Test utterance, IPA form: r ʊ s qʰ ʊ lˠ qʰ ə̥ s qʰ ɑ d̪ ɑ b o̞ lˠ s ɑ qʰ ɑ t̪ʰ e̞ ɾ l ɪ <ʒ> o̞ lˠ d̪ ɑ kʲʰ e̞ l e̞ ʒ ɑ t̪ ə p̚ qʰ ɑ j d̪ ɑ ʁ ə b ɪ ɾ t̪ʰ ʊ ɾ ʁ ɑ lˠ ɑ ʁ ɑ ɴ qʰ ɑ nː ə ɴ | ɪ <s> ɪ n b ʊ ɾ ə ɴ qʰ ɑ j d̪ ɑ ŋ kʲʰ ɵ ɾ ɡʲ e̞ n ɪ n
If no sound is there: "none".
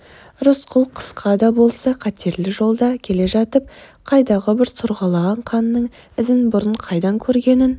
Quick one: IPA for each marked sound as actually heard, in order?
ʒ, z

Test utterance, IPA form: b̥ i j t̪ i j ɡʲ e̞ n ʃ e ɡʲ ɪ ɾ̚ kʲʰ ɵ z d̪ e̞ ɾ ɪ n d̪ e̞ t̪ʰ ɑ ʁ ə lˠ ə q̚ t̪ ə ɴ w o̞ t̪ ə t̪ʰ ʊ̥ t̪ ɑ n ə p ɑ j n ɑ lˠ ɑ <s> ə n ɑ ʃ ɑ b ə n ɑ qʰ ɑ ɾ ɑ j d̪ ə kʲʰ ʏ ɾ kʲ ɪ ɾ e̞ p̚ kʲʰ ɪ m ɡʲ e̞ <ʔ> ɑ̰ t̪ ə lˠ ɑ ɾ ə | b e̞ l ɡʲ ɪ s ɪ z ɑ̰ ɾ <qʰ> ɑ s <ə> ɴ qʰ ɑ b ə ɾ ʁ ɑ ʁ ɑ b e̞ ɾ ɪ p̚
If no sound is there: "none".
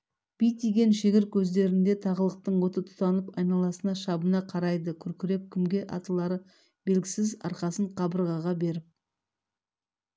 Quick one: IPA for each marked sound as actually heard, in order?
s, ʔ, q, ə

